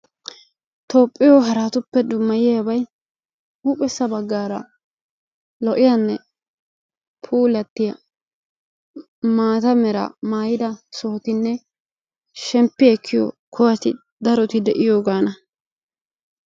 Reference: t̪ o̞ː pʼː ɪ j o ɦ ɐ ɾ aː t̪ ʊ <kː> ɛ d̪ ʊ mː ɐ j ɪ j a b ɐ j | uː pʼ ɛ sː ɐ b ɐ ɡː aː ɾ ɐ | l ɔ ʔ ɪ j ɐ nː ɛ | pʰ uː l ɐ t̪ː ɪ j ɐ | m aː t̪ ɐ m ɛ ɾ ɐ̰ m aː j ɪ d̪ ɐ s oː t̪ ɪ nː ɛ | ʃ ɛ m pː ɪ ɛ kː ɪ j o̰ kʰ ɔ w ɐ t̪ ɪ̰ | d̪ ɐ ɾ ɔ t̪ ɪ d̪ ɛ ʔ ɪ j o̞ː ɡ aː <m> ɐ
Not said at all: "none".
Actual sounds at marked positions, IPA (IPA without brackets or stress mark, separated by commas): pː, n